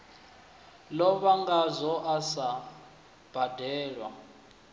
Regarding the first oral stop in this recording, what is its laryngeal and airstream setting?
plain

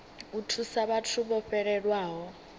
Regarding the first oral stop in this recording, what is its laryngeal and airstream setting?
aspirated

